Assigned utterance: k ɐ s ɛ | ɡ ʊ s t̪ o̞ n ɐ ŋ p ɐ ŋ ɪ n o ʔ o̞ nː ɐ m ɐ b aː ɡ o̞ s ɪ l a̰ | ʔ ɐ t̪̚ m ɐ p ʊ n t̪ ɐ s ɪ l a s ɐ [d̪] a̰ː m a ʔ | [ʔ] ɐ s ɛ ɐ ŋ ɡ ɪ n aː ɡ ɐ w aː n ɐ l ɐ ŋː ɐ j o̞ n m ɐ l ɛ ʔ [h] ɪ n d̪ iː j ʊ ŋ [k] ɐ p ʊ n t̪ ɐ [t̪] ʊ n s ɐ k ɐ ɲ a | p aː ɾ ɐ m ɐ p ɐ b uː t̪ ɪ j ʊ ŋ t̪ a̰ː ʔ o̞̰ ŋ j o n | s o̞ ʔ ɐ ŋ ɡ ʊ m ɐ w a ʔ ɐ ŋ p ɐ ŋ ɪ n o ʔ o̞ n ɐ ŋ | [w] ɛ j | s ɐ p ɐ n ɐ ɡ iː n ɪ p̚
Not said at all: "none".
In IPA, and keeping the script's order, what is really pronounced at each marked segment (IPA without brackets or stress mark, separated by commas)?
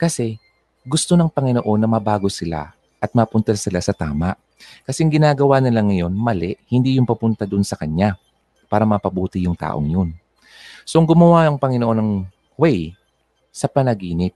t̪, k, h, p, d̪, w